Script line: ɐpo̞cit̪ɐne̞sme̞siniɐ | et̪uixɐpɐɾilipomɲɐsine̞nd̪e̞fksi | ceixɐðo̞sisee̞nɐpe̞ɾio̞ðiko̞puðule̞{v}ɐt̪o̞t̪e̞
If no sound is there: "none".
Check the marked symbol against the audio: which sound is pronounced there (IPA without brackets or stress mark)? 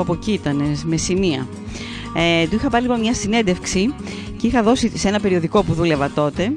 v